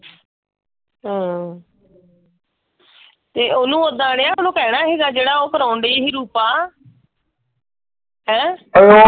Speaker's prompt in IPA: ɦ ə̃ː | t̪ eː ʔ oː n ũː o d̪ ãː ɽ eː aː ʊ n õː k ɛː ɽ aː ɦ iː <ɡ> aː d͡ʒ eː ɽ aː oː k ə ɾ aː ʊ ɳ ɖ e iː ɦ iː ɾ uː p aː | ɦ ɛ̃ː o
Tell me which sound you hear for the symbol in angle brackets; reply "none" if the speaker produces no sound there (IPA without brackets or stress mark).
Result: ɡ